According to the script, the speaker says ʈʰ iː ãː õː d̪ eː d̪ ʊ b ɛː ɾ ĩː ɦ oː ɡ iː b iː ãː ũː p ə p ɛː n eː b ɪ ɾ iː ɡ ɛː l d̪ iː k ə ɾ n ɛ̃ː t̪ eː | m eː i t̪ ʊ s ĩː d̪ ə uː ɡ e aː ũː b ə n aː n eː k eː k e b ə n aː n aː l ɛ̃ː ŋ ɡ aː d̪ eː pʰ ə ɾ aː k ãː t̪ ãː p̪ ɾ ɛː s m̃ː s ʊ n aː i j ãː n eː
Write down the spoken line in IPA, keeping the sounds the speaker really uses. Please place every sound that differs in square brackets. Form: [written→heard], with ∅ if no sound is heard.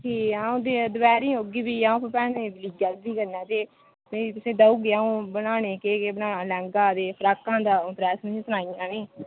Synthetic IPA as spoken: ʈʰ iː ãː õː d̪ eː d̪ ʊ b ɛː ɾ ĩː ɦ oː ɡ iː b iː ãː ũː p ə p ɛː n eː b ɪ [ɾ→l] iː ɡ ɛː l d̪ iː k ə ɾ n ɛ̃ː t̪ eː | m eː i t̪ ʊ s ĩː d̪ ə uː ɡ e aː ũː b ə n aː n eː k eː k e b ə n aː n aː l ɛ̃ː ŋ ɡ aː d̪ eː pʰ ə ɾ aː k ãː [t̪→d̪] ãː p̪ ɾ ɛː s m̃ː s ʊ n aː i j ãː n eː